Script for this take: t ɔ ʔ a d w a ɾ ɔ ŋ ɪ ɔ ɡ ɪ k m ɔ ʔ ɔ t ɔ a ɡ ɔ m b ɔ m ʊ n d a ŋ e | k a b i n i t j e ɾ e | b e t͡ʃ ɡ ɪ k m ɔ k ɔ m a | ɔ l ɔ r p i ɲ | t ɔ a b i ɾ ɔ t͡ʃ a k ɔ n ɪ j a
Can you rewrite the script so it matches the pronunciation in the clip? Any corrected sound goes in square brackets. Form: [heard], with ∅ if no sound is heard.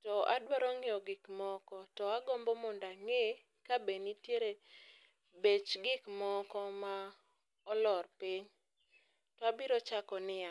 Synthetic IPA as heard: t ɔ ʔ a d w a ɾ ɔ ŋ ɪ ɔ ɡ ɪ k m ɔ [k] ɔ t ɔ a ɡ ɔ m b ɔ m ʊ n d a ŋ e | k a b [e] n i t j e ɾ e | b e t͡ʃ ɡ ɪ k m ɔ k ɔ m a | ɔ l ɔ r p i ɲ | t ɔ a b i ɾ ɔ t͡ʃ a k ɔ n ɪ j a